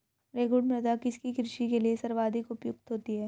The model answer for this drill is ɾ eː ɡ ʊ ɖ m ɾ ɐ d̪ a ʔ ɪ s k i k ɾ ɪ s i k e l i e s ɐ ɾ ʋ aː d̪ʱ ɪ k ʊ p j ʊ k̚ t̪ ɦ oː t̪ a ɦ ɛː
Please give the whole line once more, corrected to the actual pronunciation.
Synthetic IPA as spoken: ɾ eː ɡ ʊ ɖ m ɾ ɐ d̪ a k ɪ s k i k ɾ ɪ ʃ i k e l i e s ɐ ɾ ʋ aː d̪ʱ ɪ k ʊ p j ʊ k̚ t̪ ɦ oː t̪ i ɦ ɛː